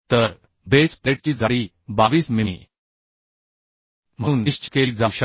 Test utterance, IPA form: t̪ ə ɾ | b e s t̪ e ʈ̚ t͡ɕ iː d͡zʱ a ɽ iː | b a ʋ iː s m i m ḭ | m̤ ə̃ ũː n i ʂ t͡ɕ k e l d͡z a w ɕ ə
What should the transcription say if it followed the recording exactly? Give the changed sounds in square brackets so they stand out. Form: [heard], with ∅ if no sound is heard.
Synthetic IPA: t̪ ə ɾ | b e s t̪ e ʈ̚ t͡ɕ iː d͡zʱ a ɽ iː | b a ʋ iː s m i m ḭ | m̤ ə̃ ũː n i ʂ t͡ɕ k e l d͡z a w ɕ ə